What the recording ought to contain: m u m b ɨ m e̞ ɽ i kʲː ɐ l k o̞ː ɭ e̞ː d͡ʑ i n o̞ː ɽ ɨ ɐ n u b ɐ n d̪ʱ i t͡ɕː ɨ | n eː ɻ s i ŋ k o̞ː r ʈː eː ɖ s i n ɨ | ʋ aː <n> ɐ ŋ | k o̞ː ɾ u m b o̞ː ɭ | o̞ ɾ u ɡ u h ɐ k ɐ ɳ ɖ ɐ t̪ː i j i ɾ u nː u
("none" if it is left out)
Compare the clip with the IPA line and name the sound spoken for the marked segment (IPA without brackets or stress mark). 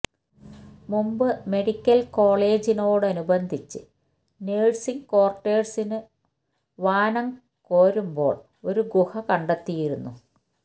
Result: n